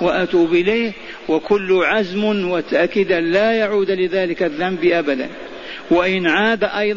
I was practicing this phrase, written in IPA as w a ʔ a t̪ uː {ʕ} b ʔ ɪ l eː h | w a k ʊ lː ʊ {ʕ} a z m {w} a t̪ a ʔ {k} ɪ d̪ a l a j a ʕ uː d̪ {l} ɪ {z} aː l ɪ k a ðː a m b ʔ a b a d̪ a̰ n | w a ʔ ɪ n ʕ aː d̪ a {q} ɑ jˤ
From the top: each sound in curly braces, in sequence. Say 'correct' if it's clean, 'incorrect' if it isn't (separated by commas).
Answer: incorrect, correct, correct, correct, correct, incorrect, incorrect